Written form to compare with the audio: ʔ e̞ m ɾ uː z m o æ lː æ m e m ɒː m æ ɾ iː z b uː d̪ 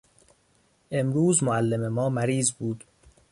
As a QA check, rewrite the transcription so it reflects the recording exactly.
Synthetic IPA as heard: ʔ e̞ m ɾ uː z m o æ lː e m e m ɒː m æ ɾ iː z b uː d̪